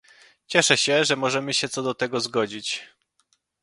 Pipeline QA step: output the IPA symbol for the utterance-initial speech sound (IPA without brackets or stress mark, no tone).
t͡ɕ